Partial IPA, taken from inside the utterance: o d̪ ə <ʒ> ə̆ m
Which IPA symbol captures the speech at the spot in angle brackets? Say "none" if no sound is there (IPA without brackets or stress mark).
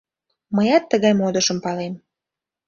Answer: ʃ